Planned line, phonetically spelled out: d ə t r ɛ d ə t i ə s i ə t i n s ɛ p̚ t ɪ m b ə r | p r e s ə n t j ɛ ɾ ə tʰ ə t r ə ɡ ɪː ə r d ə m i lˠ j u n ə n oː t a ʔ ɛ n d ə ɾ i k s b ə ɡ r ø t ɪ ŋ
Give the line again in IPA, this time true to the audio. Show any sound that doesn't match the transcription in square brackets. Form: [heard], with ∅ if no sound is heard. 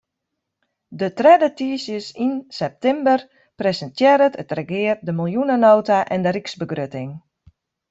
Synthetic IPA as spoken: d ə t r ɛ d ə t i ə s [j] ə [s] i n s ɛ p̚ t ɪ m b ə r | p r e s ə n t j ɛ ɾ ə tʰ ə t r ə ɡ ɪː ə r d ə m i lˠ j u n ə n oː t a ʔ ɛ n d ə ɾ i k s b ə ɡ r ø t ɪ ŋ